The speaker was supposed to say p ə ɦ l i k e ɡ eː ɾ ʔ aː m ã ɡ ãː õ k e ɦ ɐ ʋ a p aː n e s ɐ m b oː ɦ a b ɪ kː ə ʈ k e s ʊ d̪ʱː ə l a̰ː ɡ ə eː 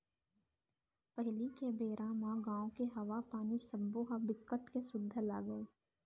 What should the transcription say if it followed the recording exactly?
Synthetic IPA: p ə ɦ l i k e b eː ɾ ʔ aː m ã ɡ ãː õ k e ɦ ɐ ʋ a p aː n i s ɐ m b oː ɦ a b ɪ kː ə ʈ k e s ʊ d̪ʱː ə l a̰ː ɡ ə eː